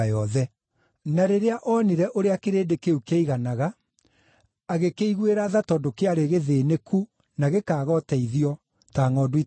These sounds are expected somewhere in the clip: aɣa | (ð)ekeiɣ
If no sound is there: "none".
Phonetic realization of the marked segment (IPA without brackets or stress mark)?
ɣ